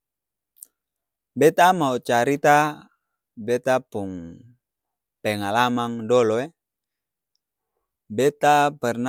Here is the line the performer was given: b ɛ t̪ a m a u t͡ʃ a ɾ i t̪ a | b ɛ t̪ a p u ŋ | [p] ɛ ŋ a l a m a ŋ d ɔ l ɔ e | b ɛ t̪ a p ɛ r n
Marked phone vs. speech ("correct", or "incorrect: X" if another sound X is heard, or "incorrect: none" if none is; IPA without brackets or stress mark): correct